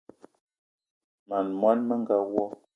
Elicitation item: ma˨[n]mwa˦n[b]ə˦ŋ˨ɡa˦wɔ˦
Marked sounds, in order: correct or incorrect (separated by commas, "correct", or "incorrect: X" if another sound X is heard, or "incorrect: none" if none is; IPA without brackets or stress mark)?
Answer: correct, incorrect: m